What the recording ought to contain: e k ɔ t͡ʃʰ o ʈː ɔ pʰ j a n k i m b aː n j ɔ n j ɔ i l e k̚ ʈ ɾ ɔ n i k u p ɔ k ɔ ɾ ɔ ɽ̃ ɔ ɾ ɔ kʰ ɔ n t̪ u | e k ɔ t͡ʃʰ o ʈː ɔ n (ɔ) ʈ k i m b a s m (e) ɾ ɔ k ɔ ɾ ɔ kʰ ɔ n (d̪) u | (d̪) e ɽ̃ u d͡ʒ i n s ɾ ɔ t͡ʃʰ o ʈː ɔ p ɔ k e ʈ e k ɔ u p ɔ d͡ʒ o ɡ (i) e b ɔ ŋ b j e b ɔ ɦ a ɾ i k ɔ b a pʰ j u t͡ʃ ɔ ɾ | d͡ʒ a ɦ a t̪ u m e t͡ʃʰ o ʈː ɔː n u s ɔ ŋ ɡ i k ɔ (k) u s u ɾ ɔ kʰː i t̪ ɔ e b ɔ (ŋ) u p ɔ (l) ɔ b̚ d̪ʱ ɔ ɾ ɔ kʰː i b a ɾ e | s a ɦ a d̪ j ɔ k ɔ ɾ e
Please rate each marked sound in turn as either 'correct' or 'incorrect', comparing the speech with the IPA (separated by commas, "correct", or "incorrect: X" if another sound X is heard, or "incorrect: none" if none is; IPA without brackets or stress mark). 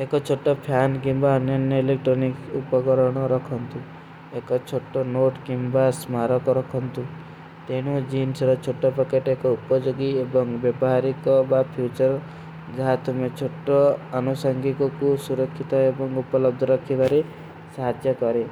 incorrect: o, incorrect: a, incorrect: t̪, incorrect: t̪, correct, correct, correct, correct